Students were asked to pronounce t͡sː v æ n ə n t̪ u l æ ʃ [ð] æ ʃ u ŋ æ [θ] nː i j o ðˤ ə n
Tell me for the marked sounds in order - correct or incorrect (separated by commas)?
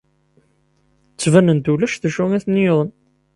incorrect, correct